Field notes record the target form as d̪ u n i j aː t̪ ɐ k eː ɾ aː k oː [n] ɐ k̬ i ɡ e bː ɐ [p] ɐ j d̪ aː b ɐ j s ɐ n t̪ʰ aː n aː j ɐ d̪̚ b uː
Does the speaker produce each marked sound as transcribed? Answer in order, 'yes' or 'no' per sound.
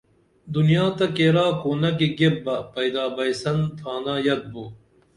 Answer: yes, yes

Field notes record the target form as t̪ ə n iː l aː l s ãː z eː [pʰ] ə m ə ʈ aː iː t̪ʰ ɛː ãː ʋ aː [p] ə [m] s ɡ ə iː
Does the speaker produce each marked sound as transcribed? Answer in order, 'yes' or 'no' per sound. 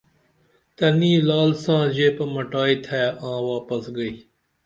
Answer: no, yes, no

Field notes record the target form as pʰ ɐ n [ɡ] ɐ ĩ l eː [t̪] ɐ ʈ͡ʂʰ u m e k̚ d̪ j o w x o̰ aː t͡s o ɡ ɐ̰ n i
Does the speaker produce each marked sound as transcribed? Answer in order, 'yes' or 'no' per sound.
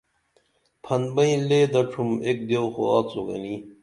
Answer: no, no

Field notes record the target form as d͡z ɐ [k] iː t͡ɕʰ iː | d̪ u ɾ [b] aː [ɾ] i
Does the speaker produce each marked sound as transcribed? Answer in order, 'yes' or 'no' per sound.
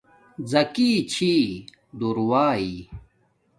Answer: yes, no, no

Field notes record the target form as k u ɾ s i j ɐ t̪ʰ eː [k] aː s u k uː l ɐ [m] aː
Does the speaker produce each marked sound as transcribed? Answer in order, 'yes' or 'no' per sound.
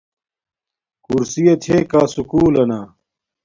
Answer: yes, no

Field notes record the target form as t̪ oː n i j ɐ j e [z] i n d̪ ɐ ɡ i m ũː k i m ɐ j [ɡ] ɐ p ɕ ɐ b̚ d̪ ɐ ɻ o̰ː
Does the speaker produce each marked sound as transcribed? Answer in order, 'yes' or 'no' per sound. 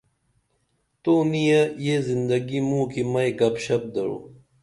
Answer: yes, yes

